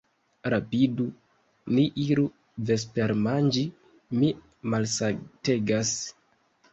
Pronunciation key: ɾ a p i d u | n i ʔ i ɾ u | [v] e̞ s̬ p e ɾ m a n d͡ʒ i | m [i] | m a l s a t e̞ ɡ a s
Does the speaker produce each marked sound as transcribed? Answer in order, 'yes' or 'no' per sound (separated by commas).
yes, yes